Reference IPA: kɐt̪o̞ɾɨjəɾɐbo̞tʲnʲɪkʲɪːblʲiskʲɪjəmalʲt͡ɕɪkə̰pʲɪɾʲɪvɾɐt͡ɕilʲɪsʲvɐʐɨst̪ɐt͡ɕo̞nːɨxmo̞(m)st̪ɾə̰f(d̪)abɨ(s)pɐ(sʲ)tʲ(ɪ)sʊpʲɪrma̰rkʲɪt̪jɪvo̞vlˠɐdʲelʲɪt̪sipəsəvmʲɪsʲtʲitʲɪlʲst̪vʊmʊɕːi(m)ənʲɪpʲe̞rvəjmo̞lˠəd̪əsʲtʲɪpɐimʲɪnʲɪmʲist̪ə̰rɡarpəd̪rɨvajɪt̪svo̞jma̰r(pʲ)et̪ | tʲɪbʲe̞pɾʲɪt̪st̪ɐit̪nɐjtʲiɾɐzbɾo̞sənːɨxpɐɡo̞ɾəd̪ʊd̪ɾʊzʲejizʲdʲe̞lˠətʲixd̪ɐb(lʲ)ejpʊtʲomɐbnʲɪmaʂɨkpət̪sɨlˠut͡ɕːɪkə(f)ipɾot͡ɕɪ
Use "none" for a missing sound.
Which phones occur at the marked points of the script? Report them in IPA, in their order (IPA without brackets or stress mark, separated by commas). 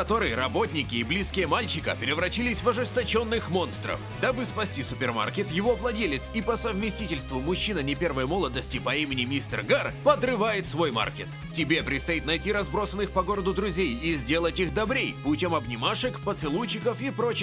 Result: n, d̪, s, sʲ, i, n, kʲ, ɾʲ, f